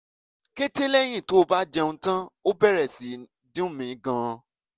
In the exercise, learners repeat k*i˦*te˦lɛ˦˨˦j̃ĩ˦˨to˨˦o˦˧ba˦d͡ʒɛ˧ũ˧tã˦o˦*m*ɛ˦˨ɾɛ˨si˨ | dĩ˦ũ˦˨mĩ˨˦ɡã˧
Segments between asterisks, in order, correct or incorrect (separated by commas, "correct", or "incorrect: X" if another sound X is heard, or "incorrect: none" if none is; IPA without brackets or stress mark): incorrect: e˦, incorrect: b